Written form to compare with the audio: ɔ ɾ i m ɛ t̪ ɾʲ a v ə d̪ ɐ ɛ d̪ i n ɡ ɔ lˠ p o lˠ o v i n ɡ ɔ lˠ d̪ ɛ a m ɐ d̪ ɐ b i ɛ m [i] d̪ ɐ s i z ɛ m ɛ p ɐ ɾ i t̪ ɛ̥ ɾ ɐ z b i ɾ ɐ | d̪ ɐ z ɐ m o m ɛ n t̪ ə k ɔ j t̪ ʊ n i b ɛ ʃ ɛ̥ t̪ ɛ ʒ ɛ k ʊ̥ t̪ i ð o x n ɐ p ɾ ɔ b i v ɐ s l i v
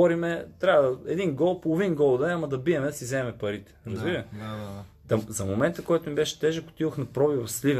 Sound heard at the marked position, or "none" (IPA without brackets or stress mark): ɛ